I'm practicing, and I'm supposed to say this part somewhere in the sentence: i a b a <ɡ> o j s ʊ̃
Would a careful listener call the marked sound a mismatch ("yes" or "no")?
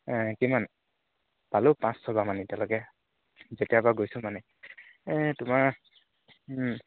no